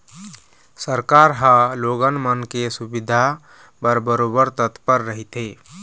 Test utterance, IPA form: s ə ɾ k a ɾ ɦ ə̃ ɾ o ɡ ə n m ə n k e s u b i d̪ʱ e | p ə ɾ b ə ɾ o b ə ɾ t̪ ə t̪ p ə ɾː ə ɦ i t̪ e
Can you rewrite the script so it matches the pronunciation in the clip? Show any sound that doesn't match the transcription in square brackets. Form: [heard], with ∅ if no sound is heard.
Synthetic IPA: s ə ɾ k a ɾ ɦ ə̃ [l] o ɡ ə n m ə n k e s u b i d̪ʱ [a] | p ə ɾ b ə ɾ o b ə ɾ t̪ ə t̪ p ə ɾː ə ɦ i t̪ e